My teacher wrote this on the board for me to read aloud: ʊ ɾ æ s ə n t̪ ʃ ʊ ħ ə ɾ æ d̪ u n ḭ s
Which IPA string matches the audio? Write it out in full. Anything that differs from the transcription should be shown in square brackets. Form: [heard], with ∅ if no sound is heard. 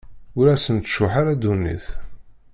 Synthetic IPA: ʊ ɾ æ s ə n t̪ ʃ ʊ ħ [a] ɾ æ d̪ u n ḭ [θ]

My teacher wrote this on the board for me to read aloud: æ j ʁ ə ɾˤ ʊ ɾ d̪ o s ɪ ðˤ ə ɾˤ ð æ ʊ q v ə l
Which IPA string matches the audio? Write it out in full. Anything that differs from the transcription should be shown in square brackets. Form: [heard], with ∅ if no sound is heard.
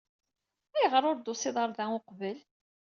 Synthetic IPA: æ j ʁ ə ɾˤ ʊ ɾ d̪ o s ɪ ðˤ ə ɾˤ ð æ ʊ q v ə l

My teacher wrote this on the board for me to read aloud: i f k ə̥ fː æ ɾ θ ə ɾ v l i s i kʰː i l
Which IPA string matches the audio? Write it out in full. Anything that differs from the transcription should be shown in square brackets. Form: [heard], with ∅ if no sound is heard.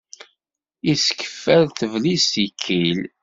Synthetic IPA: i [s] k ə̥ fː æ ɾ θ ə [∅] v l i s i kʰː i l

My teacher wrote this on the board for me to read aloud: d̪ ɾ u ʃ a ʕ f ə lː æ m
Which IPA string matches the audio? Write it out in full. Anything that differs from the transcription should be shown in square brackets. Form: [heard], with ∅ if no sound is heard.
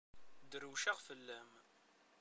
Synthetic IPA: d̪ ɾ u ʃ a [ʁ] f ə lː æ m

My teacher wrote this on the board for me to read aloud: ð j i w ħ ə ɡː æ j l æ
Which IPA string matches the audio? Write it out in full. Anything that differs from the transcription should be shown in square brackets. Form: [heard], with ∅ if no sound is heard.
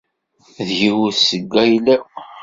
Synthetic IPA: ð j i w [s] ə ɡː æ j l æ

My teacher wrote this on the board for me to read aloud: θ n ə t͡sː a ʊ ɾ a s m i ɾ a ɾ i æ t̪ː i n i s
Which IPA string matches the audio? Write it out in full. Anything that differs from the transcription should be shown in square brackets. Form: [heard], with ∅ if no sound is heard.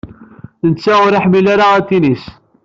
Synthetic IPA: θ n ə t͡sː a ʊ ɾ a [ħ] m i [l] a ɾ [a] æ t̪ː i n i s

